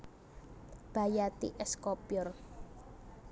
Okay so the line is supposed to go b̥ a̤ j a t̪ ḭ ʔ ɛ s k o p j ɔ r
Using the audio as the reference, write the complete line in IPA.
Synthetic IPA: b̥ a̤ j a t̪ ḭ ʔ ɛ s k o p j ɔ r